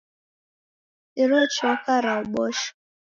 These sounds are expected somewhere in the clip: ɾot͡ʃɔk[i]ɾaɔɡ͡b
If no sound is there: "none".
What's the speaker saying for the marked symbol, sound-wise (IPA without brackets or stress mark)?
a